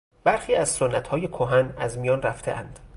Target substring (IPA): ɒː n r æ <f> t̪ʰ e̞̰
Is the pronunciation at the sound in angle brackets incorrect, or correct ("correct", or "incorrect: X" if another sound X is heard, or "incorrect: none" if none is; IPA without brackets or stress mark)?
correct